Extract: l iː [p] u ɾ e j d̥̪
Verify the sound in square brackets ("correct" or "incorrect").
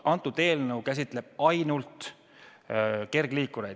incorrect